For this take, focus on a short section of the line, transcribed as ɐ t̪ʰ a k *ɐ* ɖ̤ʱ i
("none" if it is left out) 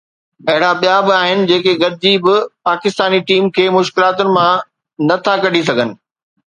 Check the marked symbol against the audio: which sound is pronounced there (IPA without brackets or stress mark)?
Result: ɐ